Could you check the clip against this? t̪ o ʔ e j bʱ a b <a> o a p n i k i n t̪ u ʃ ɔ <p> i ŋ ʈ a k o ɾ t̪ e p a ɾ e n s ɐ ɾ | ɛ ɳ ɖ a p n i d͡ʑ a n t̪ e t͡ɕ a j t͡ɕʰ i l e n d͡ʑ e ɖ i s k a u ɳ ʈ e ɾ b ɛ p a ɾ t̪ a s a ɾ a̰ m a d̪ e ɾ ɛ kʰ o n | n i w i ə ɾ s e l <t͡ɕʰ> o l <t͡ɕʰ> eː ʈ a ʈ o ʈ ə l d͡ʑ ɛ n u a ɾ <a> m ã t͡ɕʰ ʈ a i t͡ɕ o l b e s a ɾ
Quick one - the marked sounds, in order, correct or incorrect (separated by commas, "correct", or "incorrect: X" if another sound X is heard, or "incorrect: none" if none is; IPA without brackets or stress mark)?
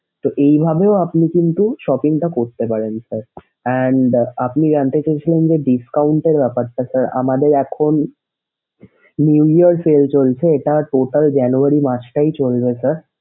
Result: incorrect: e, correct, incorrect: t͡ɕ, correct, incorrect: i